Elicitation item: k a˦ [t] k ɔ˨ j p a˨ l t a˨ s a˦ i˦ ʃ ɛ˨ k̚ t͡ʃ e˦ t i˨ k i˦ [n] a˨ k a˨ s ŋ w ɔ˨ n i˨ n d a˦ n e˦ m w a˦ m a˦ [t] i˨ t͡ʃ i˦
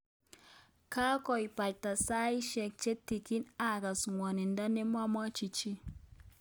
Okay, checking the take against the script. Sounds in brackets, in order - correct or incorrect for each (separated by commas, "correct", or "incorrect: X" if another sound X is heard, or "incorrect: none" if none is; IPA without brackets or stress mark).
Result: incorrect: none, correct, incorrect: t͡ʃ